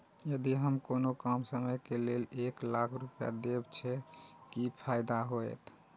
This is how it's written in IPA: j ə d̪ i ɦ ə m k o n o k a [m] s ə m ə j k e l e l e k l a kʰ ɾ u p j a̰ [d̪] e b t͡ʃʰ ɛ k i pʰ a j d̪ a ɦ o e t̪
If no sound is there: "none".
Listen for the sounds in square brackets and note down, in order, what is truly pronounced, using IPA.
m, d̪

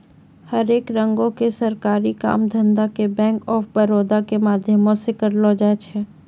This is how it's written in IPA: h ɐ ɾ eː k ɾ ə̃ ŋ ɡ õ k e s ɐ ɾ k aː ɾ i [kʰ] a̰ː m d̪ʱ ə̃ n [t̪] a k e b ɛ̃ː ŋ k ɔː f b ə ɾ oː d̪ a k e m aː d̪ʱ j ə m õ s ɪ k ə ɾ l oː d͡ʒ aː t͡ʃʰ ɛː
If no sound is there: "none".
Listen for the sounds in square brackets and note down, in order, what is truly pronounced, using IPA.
k, d̪

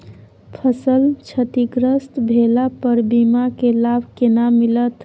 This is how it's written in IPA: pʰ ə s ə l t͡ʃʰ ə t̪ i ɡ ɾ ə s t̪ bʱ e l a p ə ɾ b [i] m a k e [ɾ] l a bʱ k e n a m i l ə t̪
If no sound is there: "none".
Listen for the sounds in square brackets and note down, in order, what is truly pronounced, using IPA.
i, none

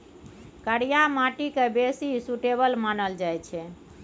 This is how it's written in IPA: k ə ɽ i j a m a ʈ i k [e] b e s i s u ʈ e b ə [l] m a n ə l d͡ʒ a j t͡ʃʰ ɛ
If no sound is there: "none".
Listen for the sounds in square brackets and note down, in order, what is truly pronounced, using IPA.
e, l

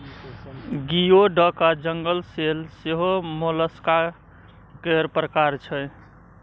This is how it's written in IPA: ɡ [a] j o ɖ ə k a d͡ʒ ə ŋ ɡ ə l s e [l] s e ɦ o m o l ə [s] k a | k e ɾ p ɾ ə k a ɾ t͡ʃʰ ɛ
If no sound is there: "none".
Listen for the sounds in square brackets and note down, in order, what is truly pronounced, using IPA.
i, l, s

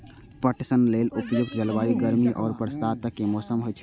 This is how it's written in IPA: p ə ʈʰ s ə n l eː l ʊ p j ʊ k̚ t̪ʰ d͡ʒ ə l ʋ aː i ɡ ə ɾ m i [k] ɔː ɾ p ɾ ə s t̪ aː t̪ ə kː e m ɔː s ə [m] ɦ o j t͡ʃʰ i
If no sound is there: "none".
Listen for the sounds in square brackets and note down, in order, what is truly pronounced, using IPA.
ʔ, m

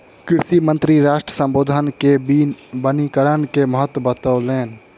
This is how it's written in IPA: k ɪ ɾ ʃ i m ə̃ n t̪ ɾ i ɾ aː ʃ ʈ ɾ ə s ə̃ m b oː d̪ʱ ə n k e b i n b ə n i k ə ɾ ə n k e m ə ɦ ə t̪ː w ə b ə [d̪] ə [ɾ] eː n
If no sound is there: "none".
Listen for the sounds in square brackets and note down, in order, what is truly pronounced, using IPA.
t̪, l

